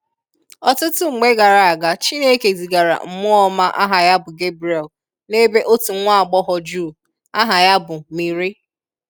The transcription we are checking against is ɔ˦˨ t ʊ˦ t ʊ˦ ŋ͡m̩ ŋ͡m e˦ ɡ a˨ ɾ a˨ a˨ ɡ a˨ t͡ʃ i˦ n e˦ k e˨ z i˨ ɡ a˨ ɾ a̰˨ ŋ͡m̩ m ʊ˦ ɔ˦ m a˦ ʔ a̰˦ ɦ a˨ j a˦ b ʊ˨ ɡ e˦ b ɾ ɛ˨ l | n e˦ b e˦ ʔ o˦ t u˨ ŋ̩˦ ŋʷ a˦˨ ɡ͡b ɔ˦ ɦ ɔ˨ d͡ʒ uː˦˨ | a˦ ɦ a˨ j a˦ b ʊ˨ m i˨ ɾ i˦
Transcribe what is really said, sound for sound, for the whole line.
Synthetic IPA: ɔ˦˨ t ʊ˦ t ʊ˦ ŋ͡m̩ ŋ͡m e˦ ɡ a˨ ɾ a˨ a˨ ɡ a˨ t͡ʃ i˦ n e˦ k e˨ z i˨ ɡ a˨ ɾ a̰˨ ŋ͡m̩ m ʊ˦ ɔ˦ m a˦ ʔ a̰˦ ɦ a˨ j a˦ b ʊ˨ ɡ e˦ b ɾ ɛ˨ l | n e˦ b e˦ ʔ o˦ t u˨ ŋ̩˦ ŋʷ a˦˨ ɡ͡b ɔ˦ ɦ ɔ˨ d͡ʒ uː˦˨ | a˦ ɦ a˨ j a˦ b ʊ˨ m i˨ ɾ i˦